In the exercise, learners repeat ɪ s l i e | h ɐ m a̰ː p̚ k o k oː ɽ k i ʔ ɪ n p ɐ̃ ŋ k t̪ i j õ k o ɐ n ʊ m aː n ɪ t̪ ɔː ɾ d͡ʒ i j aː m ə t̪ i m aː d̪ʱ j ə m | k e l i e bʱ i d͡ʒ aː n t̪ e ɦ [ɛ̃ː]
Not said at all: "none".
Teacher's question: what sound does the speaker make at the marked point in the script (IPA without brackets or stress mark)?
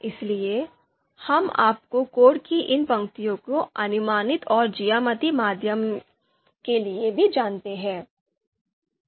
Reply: ɛ̃ː